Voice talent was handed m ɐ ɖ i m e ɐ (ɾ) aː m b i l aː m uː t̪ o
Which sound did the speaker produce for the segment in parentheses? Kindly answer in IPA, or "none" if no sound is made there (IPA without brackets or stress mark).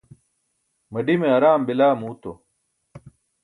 ɾ